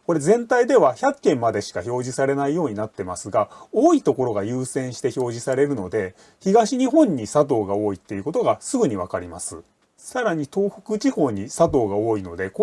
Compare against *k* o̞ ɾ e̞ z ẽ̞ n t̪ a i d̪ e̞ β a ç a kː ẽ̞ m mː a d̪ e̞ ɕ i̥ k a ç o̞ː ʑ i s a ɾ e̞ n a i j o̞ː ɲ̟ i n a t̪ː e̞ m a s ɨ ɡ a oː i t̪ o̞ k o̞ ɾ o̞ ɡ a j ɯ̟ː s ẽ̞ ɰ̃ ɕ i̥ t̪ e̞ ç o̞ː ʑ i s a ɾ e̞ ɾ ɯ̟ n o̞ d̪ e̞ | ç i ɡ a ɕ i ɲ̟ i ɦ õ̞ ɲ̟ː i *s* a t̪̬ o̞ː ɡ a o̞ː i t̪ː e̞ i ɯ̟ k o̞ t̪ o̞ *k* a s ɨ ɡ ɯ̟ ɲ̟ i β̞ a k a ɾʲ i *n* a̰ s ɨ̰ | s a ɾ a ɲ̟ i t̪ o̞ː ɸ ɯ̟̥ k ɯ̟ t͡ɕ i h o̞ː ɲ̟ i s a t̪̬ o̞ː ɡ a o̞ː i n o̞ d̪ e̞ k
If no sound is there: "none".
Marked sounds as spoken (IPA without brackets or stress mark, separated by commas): k, s, ɡ, m